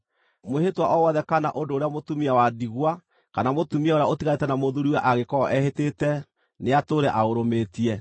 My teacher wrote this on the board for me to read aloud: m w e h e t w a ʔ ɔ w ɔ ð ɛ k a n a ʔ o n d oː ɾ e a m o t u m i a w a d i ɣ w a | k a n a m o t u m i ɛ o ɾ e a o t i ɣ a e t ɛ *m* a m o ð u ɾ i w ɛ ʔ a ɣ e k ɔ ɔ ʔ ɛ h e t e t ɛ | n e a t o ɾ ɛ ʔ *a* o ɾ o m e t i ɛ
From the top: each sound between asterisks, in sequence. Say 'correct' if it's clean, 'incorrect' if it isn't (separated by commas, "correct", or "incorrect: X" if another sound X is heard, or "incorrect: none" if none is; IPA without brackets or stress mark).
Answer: incorrect: n, correct